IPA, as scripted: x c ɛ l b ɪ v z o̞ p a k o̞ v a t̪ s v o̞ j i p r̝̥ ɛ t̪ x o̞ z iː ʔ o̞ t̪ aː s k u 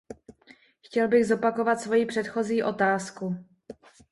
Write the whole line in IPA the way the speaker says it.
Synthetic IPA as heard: x c ɛ l b ɪ ɣ z o̞ p a k o̞ v a t̪ s v o̞ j i p r̝̥ ɛ t̪ x o̞ z iː ʔ o̞ t̪ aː s k u